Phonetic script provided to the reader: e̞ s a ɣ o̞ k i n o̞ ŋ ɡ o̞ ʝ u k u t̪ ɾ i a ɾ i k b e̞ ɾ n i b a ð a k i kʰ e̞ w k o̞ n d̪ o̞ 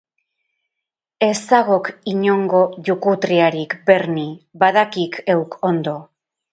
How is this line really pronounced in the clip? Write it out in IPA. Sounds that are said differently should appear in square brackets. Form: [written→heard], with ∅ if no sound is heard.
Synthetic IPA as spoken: e̞ s a ɣ o̞ k i [n→ɲ] o̞ ŋ ɡ o̞ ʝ u k u t̪ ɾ i a ɾ i k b e̞ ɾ n i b a ð a k i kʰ e̞ w k o̞ n d̪ o̞